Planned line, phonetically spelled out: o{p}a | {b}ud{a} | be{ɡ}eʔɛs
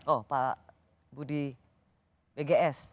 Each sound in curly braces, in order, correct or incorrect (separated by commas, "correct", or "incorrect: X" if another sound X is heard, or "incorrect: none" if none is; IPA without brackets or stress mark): correct, correct, incorrect: i, correct